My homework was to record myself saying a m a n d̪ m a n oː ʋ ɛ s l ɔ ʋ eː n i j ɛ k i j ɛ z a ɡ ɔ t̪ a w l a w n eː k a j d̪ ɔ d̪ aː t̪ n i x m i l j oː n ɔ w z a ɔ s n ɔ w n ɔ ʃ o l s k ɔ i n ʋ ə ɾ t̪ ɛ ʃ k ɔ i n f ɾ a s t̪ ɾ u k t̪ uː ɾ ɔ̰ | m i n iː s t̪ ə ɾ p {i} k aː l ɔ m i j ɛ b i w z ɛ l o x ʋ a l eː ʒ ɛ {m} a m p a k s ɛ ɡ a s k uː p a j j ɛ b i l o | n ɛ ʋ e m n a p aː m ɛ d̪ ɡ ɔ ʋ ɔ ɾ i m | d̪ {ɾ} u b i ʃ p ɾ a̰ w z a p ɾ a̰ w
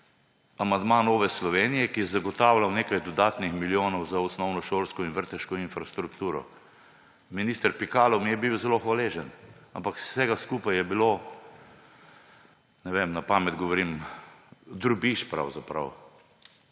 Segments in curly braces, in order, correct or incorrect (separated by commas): correct, incorrect, correct